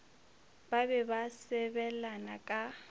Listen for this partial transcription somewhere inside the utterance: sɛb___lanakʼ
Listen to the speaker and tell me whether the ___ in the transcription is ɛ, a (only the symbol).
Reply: ɛ